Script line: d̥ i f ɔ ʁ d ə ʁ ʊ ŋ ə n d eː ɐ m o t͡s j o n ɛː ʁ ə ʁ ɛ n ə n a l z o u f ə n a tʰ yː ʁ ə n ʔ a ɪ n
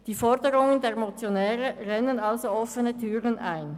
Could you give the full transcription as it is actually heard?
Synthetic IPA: d̥ iː f ɔ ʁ d ə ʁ ʊ ŋ ə n d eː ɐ m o t͡s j o n ɛː ʁ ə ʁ ɛ n ə n a l z o ɔ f ə n ə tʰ yː ʁ ə n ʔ a ɪ n

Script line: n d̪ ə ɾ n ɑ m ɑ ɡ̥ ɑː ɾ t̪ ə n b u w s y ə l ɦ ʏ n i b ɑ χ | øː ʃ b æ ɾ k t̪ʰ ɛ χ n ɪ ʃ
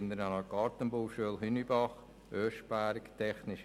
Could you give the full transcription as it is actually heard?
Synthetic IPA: n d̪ ə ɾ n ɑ n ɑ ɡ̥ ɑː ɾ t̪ ə n b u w ʃ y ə l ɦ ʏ n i b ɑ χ | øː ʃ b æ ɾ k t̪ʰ ɛ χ n ɪ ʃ

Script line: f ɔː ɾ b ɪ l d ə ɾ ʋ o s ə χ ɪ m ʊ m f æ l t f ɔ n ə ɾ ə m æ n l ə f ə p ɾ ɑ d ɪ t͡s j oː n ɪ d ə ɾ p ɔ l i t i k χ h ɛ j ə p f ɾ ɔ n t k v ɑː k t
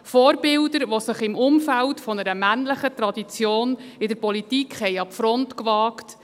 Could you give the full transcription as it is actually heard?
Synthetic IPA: f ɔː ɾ b ɪ l d ə ɾ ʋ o s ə χ ɪ m ʊ m f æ l t f ɔ n ə ɾ ə m æ n l ə χ ə t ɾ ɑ d i t͡s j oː n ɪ d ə ɾ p ɔ l i t i k χ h ɛ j ɑ p f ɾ ɔ n t k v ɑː k t

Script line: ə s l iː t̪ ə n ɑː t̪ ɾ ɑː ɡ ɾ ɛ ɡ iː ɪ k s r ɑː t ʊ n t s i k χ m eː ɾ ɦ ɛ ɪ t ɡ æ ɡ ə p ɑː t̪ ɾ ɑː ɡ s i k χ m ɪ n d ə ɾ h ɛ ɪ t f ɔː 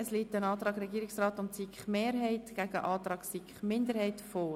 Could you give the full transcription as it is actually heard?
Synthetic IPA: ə s l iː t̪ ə n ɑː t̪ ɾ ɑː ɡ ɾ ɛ ɡ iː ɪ k s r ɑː t ʊ n t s i k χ m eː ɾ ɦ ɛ ɪ t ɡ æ ɡ ə ʔ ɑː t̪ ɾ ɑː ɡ s i k χ m ɪ n d ə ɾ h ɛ ɪ t f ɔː

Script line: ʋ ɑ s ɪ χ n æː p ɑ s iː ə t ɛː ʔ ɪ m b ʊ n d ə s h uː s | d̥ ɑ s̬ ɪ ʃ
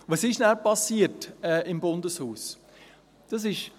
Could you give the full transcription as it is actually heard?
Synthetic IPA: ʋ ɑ s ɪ ʃ n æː p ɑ s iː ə t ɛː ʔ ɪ m b ʊ n d ə s h uː s | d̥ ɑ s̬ ɪ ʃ

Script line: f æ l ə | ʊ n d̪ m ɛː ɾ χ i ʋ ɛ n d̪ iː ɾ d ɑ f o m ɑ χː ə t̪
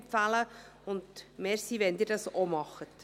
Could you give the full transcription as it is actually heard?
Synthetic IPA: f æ l ə | ʊ n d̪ m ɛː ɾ s i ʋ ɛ n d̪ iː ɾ d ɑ s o m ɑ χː ə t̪

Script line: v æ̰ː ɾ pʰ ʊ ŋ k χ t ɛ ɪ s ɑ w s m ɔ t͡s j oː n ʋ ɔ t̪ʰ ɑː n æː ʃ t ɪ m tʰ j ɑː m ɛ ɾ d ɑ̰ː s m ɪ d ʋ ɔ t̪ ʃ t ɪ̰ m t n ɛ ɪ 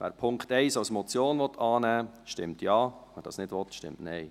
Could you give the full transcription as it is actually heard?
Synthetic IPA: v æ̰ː ɾ pʰ ʊ ŋ k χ t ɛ ɪ s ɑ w s m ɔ t͡s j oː n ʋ ɔ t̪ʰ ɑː n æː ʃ t ɪ m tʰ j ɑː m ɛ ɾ d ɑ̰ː s n ɪ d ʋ ɔ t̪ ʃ t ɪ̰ m t n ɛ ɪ

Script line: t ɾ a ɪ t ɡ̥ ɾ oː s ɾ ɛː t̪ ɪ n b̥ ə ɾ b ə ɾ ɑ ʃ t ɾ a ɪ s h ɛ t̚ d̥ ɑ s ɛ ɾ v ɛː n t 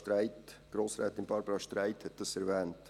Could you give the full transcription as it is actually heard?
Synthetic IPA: t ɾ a ɪ t ɡ̥ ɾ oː s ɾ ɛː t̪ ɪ n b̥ ɑ ɾ b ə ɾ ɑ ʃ t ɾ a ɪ t h ɛ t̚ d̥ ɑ s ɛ ɾ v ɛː n t

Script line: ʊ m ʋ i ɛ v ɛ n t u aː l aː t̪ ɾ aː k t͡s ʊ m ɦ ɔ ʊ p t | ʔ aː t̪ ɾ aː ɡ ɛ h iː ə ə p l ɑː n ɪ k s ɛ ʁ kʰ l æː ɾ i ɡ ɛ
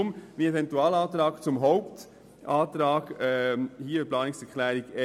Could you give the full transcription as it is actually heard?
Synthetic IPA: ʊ m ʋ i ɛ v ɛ n t u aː l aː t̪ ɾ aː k t͡s ʊ m ɦ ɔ ʊ p t | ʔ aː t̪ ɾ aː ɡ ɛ h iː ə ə p l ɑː n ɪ k s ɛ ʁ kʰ l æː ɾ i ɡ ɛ

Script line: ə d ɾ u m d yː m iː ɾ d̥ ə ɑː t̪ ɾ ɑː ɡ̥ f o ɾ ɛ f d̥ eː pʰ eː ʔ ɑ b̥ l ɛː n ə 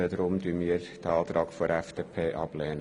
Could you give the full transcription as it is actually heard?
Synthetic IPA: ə d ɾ ʊ m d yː m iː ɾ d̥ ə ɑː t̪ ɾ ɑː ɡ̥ f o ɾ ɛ f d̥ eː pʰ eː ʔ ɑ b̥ l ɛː n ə

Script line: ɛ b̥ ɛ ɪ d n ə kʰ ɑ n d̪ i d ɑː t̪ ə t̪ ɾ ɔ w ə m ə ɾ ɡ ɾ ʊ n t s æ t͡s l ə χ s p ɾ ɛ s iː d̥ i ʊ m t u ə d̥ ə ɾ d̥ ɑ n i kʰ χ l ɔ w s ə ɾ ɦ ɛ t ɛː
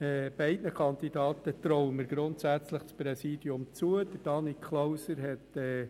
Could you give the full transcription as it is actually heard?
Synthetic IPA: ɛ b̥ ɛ ɪ d n ə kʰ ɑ n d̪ i d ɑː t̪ ə t̪ ɾ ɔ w ə m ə ɾ ɡ ɾ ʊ n t s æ t͡s l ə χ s p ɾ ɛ s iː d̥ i ʊ m t͡s u ə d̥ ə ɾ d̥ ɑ n i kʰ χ l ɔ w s ə ɾ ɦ ɛ t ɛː

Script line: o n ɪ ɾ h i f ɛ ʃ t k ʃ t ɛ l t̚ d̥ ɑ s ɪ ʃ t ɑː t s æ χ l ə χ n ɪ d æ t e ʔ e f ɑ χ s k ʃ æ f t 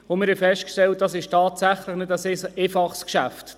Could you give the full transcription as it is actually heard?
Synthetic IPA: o m ɪ ɾ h ɛ f ɛ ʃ t k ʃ t ɛ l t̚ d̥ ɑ s ɪ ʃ t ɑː t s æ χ l ə χ n ɪ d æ s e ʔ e f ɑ χ s k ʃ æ f t

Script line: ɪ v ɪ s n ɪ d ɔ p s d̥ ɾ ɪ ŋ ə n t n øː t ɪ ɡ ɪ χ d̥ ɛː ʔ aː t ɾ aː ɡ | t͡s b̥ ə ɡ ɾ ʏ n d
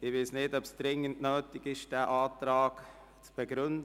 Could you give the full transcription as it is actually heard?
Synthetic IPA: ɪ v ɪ s n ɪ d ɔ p s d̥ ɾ ɪ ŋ ə n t n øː t ɪ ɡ ɪ ʃ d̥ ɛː ʔ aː t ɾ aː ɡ | t͡s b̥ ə ɡ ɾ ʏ n d

